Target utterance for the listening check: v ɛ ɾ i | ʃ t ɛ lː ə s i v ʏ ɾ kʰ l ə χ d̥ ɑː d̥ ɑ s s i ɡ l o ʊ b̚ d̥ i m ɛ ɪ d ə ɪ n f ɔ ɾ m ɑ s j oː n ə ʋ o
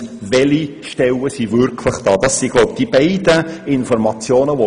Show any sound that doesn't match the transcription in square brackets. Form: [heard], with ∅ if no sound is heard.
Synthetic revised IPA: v ɛ [l] i | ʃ t ɛ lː ə s i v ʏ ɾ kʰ l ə χ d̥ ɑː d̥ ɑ s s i ɡ l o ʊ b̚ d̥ i [b] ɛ ɪ d ə ɪ n f ɔ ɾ m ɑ [t͡s] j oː n ə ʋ o